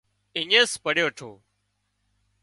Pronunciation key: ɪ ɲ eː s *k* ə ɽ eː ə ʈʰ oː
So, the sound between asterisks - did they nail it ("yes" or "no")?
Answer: no